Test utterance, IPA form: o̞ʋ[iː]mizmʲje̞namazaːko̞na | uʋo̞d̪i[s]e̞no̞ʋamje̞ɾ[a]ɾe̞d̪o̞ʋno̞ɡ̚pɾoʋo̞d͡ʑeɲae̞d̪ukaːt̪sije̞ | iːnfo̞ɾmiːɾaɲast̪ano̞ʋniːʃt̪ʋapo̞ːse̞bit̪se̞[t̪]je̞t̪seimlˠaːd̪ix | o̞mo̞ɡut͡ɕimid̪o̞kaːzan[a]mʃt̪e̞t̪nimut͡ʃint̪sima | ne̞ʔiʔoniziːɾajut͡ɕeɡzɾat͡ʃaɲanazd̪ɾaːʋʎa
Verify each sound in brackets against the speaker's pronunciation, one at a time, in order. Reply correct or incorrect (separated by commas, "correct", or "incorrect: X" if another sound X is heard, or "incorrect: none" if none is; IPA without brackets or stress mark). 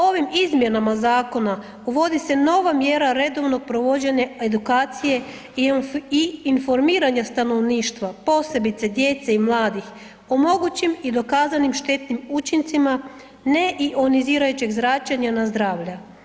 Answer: incorrect: i, correct, correct, incorrect: d̪, incorrect: i